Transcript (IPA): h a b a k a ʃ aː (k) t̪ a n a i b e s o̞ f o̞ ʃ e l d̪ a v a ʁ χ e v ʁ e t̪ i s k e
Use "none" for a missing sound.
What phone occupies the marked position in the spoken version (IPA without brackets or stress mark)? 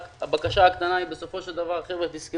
k